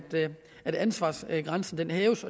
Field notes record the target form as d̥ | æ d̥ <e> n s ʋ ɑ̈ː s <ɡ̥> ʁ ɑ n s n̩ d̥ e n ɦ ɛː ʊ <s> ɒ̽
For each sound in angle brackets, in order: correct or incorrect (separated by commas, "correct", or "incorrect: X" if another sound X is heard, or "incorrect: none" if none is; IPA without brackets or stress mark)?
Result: incorrect: æ, correct, correct